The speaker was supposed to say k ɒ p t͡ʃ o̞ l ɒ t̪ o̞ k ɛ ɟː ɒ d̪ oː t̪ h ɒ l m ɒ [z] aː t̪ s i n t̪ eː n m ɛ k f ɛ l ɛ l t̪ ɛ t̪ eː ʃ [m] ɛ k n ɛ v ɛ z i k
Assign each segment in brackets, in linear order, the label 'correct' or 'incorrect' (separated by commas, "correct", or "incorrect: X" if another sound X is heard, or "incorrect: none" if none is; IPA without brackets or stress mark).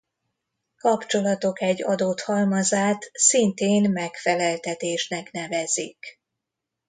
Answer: correct, incorrect: n